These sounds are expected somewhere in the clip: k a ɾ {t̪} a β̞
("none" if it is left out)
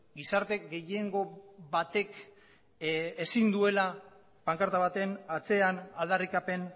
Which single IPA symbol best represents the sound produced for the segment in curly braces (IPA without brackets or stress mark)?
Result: t̪